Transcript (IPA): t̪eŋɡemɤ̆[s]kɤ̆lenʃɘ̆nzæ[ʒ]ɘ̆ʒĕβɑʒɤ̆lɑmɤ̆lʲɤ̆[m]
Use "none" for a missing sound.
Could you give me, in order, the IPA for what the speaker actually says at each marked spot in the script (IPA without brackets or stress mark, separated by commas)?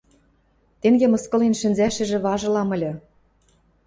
s, ʃ, none